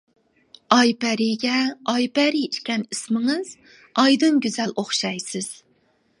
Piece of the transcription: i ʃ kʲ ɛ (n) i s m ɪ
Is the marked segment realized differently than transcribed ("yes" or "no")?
no